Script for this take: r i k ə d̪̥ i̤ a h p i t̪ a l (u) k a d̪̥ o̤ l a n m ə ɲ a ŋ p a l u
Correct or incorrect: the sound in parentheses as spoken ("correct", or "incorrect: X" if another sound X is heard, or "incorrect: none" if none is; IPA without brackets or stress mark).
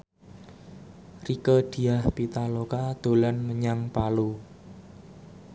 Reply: incorrect: o